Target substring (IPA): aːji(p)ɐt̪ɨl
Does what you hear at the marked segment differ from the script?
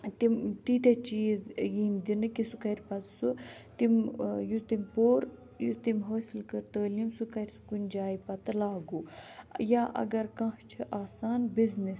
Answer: no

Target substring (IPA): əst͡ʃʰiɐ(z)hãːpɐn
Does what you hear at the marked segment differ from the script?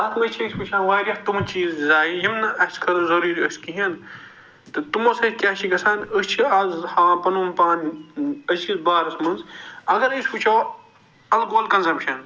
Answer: no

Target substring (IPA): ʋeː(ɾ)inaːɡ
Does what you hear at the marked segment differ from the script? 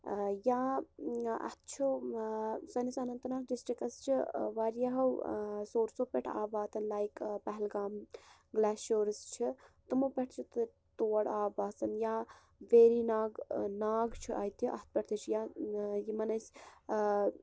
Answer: no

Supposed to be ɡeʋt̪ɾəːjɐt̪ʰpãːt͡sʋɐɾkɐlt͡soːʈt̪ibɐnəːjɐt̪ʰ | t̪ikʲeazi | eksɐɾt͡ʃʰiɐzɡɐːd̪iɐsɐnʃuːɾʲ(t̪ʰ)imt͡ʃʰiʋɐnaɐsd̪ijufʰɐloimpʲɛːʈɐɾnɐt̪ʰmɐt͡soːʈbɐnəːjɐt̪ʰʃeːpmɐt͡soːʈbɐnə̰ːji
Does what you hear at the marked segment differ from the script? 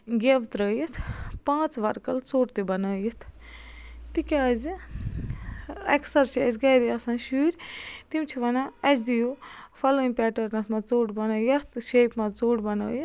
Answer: yes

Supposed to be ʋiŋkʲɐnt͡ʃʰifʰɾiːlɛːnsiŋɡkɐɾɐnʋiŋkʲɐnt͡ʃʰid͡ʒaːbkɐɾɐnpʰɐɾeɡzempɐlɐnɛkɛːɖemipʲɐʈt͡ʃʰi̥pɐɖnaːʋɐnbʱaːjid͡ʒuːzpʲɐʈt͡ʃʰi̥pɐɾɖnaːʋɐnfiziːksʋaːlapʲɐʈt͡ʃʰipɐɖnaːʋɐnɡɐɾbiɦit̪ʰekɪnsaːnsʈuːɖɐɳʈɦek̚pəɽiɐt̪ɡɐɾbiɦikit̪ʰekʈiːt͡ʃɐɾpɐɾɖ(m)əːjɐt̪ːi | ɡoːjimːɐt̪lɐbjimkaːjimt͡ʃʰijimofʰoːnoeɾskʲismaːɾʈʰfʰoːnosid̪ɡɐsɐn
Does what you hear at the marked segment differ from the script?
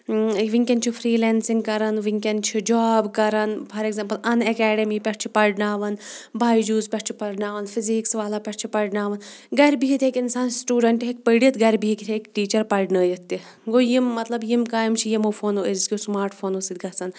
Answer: yes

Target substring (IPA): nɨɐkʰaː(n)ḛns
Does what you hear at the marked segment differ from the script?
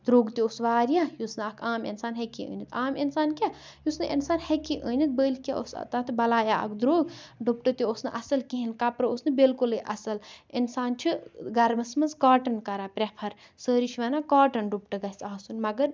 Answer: yes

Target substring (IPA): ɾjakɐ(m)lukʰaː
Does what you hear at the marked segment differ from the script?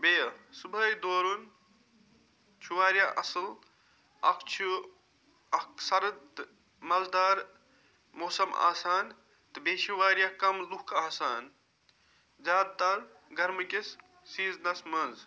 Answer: no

